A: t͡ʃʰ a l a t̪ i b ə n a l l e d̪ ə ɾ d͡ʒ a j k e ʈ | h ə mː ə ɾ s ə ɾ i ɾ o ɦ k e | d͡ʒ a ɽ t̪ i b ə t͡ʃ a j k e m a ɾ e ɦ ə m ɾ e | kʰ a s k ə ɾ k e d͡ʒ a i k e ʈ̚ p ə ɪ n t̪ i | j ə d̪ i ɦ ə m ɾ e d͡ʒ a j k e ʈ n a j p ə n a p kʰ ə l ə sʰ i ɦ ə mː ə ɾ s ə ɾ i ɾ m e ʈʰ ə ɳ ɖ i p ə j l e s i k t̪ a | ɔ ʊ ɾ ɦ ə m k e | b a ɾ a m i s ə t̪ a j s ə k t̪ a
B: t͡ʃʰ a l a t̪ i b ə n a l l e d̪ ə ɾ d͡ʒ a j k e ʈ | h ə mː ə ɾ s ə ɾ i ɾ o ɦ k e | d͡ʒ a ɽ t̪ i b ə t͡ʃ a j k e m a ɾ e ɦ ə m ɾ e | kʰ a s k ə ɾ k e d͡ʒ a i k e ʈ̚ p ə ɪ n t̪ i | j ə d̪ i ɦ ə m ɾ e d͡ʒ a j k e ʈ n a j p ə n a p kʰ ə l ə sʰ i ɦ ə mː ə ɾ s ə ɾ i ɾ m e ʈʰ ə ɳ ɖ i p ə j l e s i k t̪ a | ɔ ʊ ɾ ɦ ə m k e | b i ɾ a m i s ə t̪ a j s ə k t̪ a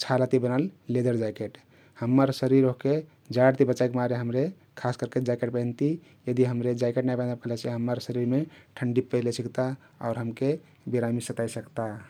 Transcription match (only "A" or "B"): B